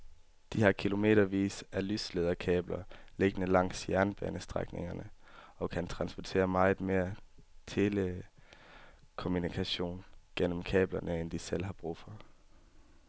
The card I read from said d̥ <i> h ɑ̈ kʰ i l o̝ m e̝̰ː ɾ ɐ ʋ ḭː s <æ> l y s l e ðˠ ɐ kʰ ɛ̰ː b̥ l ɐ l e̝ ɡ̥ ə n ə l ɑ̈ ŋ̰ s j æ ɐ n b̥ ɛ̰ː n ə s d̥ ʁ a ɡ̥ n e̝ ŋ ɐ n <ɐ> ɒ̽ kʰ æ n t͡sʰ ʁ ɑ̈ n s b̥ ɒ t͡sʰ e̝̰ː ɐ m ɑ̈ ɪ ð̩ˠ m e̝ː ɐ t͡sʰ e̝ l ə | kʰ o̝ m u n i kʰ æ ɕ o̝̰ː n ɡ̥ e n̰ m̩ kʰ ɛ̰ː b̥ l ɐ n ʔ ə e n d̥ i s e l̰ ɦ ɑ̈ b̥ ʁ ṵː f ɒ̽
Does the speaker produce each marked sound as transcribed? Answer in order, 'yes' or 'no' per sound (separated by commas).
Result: yes, yes, no